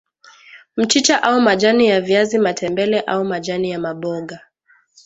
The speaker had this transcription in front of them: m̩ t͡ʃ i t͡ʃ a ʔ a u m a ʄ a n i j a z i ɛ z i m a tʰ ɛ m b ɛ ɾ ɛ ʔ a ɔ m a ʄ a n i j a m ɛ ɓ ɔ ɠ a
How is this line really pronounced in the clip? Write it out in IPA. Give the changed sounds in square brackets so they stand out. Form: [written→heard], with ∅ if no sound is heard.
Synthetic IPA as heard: m̩ t͡ʃ i t͡ʃ a ʔ a u m a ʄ a n i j a [z→v] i [ɛ→a] z i m a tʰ ɛ m b ɛ [ɾ→l] ɛ ʔ a [ɔ→u] m a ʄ a n i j a m [ɛ→a] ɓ ɔ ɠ a